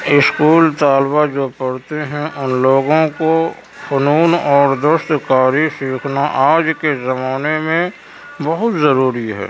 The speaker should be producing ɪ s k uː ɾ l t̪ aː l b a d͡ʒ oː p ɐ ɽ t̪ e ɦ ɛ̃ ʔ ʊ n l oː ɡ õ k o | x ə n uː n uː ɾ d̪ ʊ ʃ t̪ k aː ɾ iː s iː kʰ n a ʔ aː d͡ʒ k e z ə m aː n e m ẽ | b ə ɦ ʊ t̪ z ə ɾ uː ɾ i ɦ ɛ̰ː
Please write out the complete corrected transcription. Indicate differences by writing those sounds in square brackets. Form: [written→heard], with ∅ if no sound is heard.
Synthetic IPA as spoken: ɪ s k uː [ɾ→∅] l t̪ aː l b a d͡ʒ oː p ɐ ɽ t̪ e ɦ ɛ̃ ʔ ʊ n l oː ɡ õ k o | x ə n uː n [uː→ɔː] ɾ d̪ ʊ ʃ t̪ k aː ɾ [iː→i] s iː kʰ n a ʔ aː d͡ʒ k e z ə m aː n e m ẽ | b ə ɦ ʊ t̪ z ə ɾ uː ɾ i ɦ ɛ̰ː